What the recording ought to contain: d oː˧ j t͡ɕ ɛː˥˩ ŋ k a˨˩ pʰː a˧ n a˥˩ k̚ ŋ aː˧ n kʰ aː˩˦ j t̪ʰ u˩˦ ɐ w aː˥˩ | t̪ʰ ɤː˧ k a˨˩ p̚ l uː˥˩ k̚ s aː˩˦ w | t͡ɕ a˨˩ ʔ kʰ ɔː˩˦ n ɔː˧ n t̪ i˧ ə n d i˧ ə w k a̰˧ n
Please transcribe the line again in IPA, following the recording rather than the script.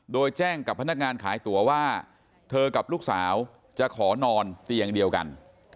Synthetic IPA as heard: d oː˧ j t͡ɕ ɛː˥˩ ŋ k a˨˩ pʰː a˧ n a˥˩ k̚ ŋ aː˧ n kʰ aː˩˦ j t̪ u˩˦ ɐ w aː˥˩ | t̪ʰ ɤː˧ k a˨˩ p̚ l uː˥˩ k̚ s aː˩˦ w | t͡ɕ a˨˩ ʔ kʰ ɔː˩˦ n ɔː˧ n t̪ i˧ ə ŋ d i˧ ə w k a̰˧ n